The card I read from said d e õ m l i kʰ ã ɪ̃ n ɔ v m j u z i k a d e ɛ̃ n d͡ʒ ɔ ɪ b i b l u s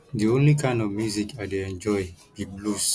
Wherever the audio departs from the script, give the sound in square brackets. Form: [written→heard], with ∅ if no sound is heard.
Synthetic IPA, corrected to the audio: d [e→i] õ [m→n] l i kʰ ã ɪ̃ n ɔ v m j u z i k a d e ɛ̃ n d͡ʒ ɔ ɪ b i b l u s